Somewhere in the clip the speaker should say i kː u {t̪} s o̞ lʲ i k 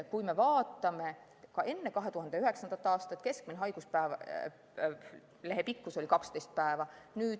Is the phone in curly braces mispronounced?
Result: yes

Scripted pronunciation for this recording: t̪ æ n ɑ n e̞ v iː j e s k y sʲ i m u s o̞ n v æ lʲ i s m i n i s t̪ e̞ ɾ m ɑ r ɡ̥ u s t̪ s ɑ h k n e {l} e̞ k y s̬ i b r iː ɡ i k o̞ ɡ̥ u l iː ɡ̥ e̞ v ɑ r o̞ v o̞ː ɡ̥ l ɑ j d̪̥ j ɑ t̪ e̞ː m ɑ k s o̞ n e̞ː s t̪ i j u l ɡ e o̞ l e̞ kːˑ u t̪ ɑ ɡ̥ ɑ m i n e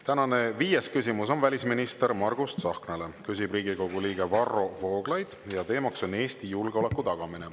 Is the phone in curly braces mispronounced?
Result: no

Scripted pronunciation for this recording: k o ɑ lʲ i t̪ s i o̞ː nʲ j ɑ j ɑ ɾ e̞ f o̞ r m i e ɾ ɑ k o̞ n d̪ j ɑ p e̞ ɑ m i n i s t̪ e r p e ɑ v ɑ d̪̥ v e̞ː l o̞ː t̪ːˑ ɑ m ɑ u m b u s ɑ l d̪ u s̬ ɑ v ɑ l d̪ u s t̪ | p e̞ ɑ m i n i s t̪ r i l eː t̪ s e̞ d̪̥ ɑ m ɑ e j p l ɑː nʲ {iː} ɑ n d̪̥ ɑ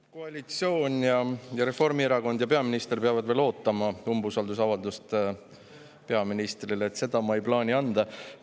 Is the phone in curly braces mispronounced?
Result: yes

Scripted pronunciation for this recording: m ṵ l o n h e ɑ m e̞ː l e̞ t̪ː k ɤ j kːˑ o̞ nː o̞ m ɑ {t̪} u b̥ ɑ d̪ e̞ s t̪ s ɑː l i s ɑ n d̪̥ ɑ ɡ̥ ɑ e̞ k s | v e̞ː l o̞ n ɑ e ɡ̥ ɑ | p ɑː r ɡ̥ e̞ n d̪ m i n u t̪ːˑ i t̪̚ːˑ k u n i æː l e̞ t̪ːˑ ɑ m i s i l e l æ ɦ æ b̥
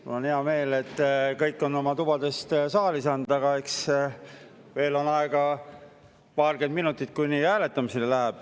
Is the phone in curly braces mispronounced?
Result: no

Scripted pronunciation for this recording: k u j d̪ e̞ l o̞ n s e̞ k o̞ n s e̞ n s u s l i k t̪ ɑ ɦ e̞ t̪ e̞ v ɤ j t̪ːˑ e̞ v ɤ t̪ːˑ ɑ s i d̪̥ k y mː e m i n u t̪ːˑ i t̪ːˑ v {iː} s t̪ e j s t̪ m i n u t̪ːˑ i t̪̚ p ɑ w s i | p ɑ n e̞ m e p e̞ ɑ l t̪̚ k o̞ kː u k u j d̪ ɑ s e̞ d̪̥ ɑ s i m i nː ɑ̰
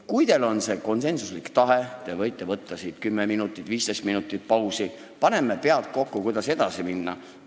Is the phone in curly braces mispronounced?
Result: no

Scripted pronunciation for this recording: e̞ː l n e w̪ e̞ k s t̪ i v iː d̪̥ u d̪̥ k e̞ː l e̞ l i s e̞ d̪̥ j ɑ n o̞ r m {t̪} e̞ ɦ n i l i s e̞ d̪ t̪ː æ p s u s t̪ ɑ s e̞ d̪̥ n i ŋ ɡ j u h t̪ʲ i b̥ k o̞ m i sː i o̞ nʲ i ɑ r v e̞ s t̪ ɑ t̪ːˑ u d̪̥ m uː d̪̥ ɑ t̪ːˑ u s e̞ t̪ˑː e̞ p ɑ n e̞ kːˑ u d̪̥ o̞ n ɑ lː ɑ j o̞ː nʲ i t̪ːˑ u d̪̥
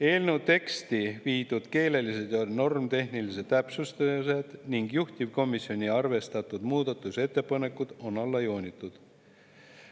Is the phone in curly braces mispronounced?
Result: no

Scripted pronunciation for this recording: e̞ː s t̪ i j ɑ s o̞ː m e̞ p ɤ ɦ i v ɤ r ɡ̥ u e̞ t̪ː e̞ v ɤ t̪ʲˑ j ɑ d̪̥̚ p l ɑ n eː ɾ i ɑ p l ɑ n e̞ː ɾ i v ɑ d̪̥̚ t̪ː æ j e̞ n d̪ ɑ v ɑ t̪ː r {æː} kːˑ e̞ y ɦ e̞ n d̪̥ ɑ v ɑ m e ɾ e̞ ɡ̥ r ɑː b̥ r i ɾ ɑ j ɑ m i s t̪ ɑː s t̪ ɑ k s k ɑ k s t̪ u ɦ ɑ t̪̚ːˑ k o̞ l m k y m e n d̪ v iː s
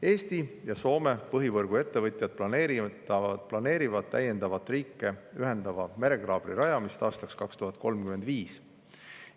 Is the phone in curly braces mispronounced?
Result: yes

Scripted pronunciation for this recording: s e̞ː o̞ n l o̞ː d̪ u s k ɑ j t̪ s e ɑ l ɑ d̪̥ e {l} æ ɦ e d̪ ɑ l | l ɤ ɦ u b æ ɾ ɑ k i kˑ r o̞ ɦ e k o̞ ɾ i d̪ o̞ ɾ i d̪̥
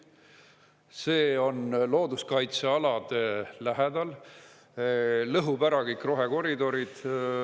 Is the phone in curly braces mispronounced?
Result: no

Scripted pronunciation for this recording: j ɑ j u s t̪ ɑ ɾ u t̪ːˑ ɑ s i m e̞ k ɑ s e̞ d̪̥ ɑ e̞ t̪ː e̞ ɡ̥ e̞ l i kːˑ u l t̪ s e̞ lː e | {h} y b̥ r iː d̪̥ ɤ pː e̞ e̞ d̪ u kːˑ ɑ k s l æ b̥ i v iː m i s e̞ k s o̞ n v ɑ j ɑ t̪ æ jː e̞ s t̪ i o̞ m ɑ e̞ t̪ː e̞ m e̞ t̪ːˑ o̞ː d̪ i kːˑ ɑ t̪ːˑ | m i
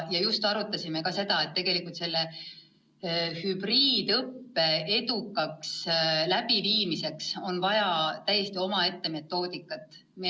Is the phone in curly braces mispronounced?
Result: no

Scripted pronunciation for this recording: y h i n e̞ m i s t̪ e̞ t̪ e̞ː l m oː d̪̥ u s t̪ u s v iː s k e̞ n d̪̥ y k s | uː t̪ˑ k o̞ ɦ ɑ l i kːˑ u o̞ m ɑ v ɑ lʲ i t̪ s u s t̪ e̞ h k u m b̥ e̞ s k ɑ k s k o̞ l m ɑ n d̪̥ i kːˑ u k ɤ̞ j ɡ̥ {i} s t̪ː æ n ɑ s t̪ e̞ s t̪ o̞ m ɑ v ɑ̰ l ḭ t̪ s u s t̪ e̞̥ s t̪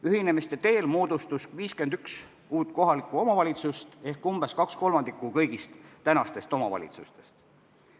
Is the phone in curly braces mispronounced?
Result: no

